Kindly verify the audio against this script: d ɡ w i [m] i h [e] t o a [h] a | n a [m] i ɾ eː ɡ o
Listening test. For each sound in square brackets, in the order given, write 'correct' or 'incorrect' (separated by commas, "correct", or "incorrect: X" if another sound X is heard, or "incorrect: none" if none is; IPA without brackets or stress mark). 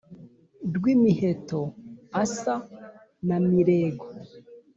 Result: correct, correct, incorrect: s, correct